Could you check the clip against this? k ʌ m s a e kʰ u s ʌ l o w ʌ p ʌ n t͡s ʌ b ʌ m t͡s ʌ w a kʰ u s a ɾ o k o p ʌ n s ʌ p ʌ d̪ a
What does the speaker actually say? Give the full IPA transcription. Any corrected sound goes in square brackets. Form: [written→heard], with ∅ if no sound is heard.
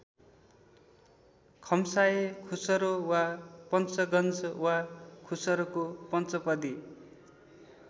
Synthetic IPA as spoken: [k→kʰ] ʌ m s a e kʰ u s ʌ [l→ɾ] o w [ʌ→a] p ʌ n t͡s ʌ [b→ɡ] ʌ [m→n] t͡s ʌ w a kʰ u s [a→ʌ] ɾ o k o p ʌ n [s→t͡s] ʌ p ʌ d̪ [a→i]